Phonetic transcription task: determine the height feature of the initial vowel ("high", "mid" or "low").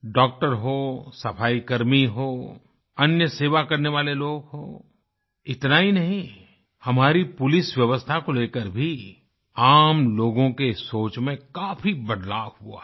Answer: mid